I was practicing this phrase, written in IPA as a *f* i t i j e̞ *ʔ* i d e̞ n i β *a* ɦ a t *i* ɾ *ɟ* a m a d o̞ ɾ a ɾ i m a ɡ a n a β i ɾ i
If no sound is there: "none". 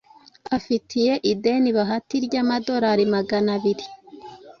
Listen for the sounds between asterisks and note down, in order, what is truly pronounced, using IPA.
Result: f, ʔ, a, i, ɟ

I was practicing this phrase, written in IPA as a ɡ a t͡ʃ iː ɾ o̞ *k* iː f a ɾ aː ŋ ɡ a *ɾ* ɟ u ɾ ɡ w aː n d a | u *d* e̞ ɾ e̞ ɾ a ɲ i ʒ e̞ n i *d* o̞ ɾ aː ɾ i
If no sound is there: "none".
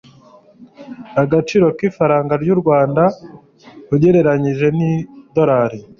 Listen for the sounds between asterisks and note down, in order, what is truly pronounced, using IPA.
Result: k, ɾ, ɟ, d

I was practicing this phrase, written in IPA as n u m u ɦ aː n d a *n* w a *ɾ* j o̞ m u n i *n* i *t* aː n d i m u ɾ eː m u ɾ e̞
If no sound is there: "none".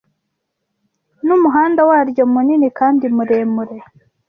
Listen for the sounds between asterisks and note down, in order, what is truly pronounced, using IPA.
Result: none, ɾ, n, k

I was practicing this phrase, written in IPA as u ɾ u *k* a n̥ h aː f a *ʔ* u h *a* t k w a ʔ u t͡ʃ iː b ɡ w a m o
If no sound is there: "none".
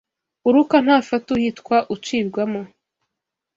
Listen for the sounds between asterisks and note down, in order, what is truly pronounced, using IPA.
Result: k, t, i

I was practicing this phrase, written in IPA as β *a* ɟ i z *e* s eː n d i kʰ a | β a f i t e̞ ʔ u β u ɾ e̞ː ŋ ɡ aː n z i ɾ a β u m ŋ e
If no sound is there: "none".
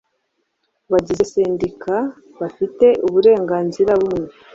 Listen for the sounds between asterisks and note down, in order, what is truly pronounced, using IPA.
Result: a, e

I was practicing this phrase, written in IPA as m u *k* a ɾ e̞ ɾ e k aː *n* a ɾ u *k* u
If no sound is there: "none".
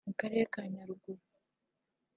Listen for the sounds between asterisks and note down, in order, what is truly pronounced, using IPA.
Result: k, ɲ, ɡ

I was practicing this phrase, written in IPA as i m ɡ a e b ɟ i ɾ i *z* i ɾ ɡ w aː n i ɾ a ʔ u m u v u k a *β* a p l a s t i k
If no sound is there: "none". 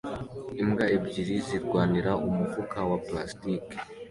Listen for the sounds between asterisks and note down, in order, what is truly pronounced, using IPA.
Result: z, w

